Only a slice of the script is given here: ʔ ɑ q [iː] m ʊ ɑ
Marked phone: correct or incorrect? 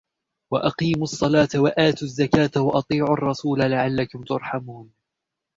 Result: correct